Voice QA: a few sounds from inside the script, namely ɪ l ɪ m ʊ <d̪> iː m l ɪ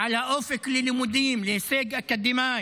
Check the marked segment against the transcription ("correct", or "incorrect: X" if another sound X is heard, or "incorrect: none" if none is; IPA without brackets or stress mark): correct